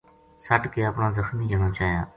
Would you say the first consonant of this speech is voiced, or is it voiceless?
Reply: voiceless